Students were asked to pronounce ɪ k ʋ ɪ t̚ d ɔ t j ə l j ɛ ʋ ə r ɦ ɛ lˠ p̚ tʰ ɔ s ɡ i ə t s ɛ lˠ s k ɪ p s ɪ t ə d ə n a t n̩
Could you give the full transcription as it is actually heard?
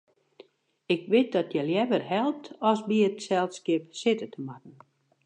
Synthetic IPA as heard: ɪ k ʋ ɪ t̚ d ɔ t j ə l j ɛ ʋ ə r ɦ ɛ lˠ p̚ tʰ ɔ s b i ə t s ɛ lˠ s k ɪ p s ɪ t ə t ə m a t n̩